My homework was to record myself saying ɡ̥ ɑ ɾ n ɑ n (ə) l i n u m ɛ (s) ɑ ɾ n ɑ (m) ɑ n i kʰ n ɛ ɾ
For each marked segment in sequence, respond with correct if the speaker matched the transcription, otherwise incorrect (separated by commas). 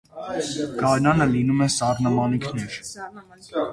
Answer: correct, correct, correct